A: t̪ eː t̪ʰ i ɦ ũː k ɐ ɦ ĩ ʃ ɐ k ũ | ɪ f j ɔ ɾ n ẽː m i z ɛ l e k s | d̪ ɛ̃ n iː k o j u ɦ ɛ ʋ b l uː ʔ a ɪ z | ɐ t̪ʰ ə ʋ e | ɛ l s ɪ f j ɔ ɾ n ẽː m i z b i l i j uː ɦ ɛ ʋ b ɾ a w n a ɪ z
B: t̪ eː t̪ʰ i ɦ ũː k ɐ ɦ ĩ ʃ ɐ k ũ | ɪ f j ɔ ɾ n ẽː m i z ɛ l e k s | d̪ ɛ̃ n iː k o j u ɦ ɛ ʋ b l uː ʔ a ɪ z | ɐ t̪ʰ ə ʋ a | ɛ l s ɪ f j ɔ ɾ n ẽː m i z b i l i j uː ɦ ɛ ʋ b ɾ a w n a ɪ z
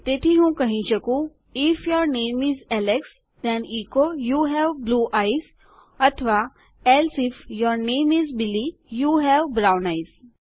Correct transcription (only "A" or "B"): B